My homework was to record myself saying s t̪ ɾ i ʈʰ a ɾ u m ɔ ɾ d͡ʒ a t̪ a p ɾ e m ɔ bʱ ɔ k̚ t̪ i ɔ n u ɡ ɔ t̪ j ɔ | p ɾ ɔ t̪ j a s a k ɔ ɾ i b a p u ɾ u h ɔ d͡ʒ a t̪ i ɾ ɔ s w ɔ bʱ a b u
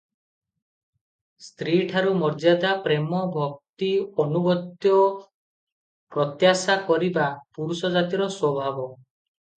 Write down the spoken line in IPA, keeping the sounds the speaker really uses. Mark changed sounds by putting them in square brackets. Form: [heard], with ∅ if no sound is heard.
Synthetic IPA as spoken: s t̪ ɾ i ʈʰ a ɾ u m ɔ ɾ d͡ʒ a [d̪] a p ɾ e m ɔ bʱ ɔ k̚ t̪ i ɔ n u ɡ ɔ t̪ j ɔ | p ɾ ɔ t̪ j a s a k ɔ ɾ i b a p u ɾ u [s] ɔ d͡ʒ a t̪ i ɾ ɔ s w ɔ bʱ a b [ɔ]